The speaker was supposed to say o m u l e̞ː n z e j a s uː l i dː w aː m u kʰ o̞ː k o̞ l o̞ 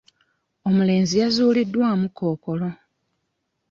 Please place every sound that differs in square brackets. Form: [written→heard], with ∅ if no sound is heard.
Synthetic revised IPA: o m u l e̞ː n z [e→i] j a [s→z] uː l i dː w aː m u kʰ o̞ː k o̞ l o̞

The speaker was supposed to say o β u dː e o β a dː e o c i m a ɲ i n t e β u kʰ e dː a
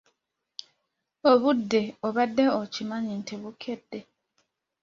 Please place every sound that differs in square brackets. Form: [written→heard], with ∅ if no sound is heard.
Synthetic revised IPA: o β u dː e o β a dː e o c i m a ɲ i n t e β u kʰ e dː [a→e]

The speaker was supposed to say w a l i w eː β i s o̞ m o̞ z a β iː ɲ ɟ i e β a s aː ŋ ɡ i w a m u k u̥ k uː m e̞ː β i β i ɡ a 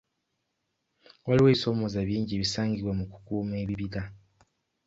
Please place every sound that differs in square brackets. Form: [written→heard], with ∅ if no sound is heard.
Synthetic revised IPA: w a l i w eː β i s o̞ m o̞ z a β iː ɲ ɟ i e β [a→i] s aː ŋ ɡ i w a m u k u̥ k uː m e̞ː β i β i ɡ a

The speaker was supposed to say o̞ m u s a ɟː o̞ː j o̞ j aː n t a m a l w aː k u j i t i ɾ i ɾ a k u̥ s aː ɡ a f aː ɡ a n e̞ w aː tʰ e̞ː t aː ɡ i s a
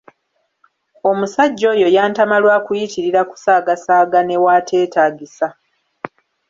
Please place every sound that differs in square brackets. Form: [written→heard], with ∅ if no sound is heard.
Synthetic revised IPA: o̞ m u s a ɟː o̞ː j o̞ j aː n t a m a l w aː k u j i t i ɾ i ɾ a k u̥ s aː ɡ a [f→s] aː ɡ a n e̞ w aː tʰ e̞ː t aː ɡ i s a

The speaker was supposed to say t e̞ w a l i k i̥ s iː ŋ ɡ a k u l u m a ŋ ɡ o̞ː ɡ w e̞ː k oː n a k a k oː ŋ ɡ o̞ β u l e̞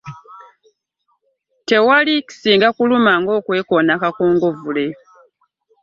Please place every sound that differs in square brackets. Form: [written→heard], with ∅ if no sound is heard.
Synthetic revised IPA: t e̞ w a l i k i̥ s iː ŋ ɡ a k u l u m a ŋ ɡ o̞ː [ɡ→k] w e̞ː k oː n a k a k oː ŋ ɡ o̞ [β→v] u l e̞

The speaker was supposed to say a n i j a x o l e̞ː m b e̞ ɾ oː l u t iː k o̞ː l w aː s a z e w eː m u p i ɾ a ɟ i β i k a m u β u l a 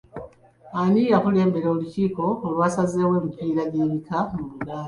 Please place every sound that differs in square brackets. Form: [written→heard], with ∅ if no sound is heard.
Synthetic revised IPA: a n i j a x [o→u] l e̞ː m b e̞ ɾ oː l u [t→c] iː k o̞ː l w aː s a z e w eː m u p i ɾ a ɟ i β i k a m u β u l a

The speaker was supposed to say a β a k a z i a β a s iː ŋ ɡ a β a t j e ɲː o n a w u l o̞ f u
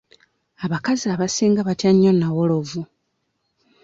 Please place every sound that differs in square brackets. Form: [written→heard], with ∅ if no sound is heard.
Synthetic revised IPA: a β a k a z i a β a s iː ŋ ɡ a β a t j [e→a] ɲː o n a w [u→o] l o̞ [f→v] u

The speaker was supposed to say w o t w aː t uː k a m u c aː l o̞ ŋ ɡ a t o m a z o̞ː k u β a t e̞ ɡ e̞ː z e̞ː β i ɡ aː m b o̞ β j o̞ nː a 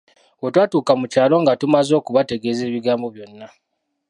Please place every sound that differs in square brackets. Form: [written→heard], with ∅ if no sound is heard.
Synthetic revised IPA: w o t w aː t uː k a m u c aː l o̞ ŋ ɡ a t [o→u] m a z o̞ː k u β a t e̞ ɡ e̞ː z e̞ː β i ɡ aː m b o̞ β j o̞ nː a

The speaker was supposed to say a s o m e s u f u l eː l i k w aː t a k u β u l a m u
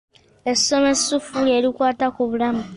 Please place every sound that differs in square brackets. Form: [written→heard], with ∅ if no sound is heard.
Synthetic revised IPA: [a→e] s o m e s u f u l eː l i k w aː t a k u β u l a m u

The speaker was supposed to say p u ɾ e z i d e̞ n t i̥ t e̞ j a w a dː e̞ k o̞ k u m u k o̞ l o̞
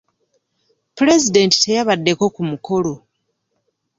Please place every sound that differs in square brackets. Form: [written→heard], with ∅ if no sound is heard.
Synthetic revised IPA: p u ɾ e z i d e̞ n t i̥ t e̞ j a [w→β] a dː e̞ k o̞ k u m u k o̞ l o̞

